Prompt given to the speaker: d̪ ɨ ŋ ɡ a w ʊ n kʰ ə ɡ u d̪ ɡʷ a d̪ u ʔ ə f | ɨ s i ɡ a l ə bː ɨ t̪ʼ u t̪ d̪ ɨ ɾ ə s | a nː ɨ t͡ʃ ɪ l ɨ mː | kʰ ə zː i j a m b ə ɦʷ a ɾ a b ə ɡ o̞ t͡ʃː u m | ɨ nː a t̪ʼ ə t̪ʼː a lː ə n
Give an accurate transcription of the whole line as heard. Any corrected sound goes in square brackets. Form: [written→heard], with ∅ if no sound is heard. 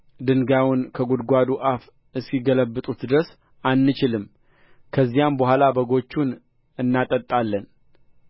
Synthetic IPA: d̪ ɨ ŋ ɡ a w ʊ n kʰ ə ɡ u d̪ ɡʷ a d̪ u ʔ [ə→a] f | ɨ s i ɡ [a→ə] l ə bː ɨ t̪ʼ u t̪ d̪ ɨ ɾ ə s | a nː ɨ t͡ʃ ɪ l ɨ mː | kʰ ə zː i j a m b ə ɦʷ a [ɾ→l] a b ə ɡ o̞ t͡ʃː u [m→n] | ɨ nː a t̪ʼ ə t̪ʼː a lː ə n